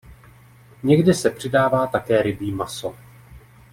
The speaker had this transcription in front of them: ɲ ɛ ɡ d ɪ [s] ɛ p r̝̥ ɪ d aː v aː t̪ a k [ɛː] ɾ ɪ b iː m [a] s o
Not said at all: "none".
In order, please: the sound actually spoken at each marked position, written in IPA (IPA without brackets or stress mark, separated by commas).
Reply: s, ɛː, a